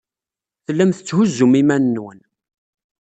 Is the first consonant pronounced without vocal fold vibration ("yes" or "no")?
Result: yes